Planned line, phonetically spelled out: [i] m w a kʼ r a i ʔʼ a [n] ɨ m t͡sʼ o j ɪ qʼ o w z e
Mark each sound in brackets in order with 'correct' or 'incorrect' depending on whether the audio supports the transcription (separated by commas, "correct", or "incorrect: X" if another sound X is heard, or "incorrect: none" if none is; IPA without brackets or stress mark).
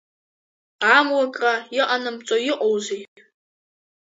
incorrect: a, correct